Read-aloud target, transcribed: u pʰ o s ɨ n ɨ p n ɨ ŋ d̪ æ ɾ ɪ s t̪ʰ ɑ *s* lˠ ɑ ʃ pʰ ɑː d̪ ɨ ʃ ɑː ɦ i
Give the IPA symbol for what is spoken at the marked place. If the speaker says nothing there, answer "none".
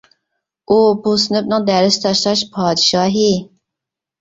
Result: ʃ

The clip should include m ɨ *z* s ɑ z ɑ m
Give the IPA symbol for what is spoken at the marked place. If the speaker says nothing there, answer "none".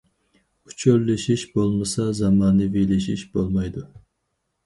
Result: none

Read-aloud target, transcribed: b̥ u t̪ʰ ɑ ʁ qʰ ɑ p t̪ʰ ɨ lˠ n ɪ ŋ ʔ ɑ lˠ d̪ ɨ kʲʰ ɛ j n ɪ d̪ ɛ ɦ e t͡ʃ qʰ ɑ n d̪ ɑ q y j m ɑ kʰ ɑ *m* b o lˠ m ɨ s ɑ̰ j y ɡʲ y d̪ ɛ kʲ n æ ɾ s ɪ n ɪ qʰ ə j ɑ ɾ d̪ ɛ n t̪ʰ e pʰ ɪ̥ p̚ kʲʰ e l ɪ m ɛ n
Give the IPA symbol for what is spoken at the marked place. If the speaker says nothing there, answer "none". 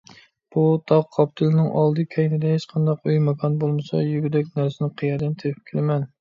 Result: n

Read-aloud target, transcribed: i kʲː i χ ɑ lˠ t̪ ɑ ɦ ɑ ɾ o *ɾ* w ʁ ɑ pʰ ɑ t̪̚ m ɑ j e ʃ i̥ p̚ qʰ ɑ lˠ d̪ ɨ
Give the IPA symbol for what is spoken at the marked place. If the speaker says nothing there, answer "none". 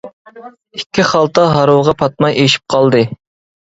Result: none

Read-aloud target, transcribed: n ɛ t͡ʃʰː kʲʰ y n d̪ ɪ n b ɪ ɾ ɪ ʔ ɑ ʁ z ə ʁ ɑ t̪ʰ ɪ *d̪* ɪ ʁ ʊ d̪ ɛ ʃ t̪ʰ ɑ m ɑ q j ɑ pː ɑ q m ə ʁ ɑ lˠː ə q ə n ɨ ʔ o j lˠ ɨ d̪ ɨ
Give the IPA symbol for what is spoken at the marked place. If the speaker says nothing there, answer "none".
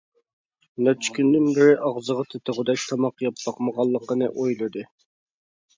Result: t̪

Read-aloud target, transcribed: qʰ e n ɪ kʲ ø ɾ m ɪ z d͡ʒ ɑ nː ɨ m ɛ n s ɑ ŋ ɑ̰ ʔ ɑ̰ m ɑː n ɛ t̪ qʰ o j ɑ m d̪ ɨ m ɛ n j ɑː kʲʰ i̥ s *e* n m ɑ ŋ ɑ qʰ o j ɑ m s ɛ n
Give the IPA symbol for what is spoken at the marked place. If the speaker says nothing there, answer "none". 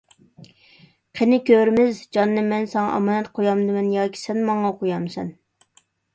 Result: ɛ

